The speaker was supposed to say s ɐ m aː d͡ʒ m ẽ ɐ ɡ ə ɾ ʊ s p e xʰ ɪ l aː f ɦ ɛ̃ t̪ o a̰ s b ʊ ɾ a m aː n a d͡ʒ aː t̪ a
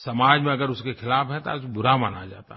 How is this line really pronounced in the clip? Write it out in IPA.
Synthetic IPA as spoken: s ɐ m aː d͡ʒ m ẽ ɐ ɡ ə ɾ ʊ s k e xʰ ɪ l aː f ɦ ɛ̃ t̪ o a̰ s b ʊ ɾ a m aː n a d͡ʒ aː t̪ a